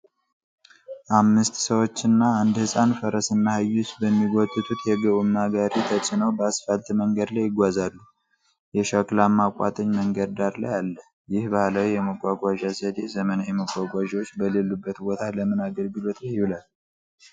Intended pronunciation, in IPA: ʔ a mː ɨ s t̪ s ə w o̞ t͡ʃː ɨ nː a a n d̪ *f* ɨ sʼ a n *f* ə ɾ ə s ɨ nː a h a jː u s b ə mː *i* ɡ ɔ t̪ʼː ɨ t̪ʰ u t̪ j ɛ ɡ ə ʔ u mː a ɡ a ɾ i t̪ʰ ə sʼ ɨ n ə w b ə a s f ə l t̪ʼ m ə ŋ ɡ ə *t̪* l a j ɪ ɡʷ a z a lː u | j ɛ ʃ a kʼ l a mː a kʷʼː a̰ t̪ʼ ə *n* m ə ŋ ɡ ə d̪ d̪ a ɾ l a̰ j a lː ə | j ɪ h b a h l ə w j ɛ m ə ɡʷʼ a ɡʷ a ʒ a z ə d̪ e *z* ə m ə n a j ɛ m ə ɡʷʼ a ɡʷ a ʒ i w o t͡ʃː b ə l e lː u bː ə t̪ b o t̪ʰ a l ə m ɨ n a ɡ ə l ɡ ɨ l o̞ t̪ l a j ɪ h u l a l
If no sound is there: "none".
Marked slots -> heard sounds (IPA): h, f, i, d̪, ɲ, z

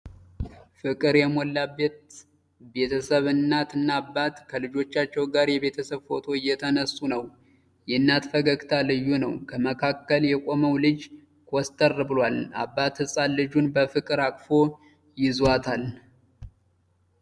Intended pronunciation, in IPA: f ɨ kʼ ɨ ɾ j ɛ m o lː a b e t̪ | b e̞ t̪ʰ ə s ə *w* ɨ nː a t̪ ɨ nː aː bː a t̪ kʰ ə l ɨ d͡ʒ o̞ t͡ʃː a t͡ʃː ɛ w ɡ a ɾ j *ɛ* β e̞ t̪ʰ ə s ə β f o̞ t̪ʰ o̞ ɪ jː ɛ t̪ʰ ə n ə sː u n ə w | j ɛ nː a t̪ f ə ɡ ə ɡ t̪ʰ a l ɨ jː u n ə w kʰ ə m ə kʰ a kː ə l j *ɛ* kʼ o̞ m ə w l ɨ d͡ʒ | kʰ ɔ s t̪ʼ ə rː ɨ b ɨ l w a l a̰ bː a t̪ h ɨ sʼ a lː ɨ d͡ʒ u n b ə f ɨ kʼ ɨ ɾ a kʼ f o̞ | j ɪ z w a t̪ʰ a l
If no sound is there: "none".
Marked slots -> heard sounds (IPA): β, ɛ, ɛ

